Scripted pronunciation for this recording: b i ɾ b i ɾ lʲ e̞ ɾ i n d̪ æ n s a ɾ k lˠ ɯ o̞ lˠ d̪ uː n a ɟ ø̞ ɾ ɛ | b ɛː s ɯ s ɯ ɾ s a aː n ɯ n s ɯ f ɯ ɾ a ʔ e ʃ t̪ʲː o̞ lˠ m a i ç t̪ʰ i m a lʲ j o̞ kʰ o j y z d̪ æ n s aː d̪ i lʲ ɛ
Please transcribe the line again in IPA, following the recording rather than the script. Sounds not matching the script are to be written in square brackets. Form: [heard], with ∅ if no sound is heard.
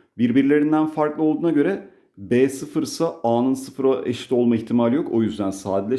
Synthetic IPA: b i ɾ b i ɾ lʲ e̞ ɾ i n d̪ æ n [f] a ɾ k lˠ ɯ o̞ lˠ d̪ uː n a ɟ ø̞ ɾ ɛ | b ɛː s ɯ [f] ɯ ɾ s a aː n ɯ n s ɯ f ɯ ɾ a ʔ e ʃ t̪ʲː o̞ lˠ m a i ç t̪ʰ i m a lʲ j o̞ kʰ o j y z d̪ æ n s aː d̪ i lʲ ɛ